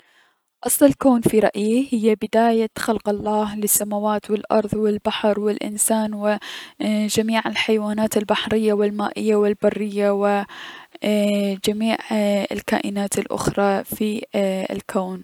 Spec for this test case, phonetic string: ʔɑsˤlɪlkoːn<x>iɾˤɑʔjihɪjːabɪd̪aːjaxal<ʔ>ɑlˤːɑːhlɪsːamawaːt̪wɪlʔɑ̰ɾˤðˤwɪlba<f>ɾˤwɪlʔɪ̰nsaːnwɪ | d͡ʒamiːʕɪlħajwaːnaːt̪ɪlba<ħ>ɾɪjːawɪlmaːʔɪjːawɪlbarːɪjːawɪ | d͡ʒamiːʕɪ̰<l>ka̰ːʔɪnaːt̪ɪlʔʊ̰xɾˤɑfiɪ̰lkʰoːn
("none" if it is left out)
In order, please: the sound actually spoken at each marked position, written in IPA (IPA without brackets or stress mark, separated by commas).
f, q, ħ, ħ, l